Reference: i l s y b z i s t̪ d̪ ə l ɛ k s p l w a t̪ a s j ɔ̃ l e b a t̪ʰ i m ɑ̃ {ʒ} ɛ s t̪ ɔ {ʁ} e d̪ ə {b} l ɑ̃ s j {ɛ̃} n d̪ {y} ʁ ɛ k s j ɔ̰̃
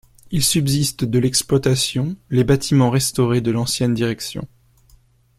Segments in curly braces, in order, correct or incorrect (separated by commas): incorrect, correct, incorrect, incorrect, incorrect